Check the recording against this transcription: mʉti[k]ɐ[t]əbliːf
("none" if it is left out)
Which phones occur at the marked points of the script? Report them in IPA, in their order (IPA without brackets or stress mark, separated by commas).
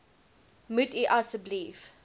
ʔ, s